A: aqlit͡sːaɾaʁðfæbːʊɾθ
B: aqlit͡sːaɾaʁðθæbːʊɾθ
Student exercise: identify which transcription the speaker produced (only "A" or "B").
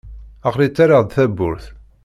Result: B